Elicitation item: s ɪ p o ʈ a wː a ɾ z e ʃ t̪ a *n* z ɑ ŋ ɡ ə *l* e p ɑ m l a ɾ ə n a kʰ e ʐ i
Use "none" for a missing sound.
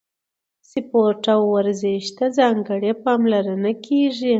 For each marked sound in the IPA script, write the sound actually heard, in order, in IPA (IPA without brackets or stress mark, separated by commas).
none, ɽ